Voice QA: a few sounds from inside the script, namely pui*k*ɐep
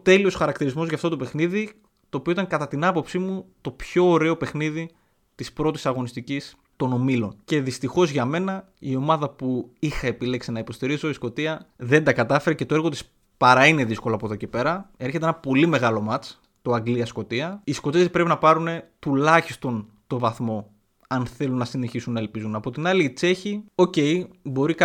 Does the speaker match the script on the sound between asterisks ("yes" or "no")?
no